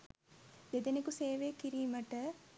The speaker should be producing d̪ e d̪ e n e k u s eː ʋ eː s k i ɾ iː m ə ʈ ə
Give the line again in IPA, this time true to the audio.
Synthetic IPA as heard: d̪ e d̪ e n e k u s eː ʋ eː k i ɾ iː m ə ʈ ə